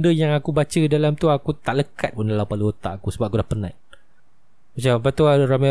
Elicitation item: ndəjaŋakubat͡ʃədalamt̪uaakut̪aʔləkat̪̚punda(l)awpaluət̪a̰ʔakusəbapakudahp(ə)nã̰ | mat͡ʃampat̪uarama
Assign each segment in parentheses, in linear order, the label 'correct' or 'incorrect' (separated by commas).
correct, correct